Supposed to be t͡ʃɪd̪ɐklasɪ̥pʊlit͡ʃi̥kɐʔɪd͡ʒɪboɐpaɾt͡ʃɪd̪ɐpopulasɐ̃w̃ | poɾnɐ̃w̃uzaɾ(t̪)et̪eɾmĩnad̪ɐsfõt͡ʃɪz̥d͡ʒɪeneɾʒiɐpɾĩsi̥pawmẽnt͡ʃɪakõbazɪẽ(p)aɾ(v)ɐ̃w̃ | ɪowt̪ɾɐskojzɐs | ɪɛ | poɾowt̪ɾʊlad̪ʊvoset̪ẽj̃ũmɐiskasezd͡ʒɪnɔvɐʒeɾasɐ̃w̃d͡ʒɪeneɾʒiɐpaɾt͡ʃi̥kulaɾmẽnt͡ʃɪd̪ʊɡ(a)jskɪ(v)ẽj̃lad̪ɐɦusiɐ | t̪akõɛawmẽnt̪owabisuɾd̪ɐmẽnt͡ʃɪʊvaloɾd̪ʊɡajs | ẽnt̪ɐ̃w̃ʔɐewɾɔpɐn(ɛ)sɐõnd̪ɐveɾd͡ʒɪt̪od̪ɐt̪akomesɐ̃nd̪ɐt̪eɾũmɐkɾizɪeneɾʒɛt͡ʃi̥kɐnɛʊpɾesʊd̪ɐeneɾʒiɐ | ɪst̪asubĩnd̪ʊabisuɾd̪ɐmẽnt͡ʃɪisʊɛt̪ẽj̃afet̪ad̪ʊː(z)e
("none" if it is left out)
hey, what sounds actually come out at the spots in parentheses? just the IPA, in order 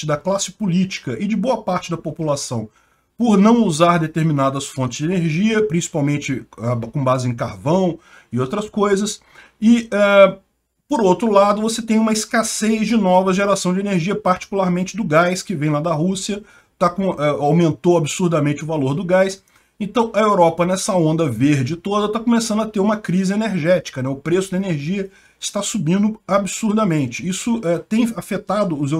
d̪, k, v, a, v, ɛ, z

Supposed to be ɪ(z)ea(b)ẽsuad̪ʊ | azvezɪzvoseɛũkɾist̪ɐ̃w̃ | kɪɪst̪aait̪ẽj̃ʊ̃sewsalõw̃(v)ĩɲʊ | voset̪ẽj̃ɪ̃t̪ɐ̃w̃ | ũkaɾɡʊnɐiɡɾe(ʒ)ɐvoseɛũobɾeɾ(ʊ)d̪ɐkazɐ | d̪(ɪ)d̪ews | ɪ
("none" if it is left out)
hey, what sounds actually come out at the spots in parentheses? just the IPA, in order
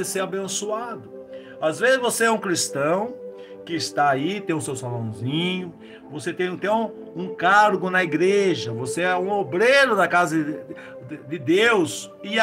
s, b, z, ʒ, ʊ, ɪ

